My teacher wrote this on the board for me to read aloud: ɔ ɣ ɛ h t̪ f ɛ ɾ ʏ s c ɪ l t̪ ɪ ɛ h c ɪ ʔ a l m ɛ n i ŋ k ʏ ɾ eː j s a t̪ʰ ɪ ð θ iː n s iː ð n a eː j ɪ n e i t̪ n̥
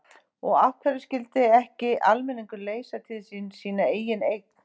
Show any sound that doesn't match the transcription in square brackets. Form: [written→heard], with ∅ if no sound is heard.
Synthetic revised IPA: ɔ ɣ [ɛ→a] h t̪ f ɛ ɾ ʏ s c ɪ l t̪ ɪ ɛ h c ɪ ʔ a l m ɛ n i ŋ k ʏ [ɾ→l] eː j s a t̪ʰ ɪ ð [θ→s] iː n s iː [ð→∅] n a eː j ɪ n e [i→j] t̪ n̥